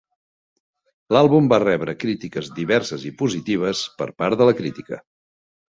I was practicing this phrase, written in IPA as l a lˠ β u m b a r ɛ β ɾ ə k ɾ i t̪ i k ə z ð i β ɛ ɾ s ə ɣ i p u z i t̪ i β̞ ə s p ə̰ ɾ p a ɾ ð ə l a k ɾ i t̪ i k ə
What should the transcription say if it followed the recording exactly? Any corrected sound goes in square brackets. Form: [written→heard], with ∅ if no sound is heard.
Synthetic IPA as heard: l a lˠ β u m b a r ɛ β ɾ ə k ɾ i t̪ i k ə z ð i β ɛ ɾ s ə [ɣ→z] i p u z i t̪ i β̞ ə s p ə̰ ɾ p a ɾ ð ə l [a→ə] k ɾ i t̪ i k ə